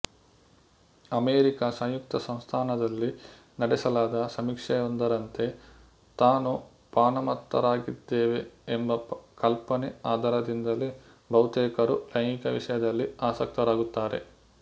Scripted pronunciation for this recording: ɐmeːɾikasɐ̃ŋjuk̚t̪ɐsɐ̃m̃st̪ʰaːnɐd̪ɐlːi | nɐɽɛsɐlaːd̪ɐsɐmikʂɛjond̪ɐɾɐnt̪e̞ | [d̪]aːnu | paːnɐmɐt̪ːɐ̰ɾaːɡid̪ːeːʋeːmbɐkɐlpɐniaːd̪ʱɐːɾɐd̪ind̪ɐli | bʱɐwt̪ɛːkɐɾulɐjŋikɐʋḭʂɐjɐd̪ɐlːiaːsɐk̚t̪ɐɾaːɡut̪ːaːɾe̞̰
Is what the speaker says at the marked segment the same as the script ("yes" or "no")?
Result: no